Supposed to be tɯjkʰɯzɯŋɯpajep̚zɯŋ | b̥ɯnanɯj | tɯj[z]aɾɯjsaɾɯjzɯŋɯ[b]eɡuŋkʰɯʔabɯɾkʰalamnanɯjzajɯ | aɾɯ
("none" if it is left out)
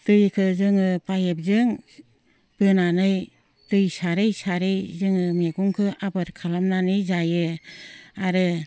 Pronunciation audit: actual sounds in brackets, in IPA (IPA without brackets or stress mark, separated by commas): s, m